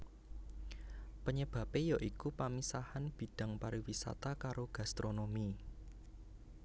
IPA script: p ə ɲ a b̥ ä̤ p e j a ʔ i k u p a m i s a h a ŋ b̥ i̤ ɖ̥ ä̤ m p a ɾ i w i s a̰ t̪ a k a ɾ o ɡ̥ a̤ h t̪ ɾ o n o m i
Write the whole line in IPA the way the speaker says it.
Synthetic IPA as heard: p ə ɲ ə b̥ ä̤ p e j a ʔ i k u p a m i s a h a n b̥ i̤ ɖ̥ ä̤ ŋ p a ɾ i w i s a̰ t̪ a k a ɾ o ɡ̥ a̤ s t̪ ɾ o n o m i